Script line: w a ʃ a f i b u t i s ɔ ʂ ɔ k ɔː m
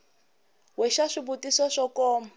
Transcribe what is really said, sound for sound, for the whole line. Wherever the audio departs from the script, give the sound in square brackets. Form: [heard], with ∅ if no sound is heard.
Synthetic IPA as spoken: w [ɛ] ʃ a [ʂ] i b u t i s ɔ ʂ ɔ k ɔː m